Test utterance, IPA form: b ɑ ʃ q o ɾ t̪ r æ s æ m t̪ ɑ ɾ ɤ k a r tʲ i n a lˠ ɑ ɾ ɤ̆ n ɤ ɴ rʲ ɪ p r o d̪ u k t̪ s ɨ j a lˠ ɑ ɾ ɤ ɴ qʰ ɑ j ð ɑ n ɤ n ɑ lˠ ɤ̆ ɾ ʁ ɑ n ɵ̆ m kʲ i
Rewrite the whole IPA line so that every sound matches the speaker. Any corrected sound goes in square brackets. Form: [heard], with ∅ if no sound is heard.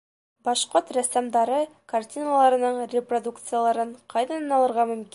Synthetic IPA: b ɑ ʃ q o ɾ t̪ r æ s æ m [d̪] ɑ ɾ ɤ k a r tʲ i n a lˠ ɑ ɾ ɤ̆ n ɤ ɴ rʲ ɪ p r o d̪ u k t̪ s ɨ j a lˠ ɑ ɾ ɤ ɴ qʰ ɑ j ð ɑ n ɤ n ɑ lˠ ɤ̆ ɾ ʁ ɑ [m] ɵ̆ m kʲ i